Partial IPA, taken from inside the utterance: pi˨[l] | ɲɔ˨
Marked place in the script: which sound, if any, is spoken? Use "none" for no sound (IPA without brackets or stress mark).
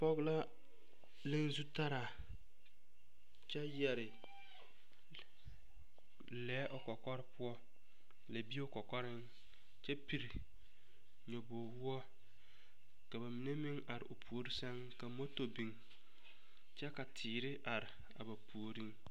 ɾ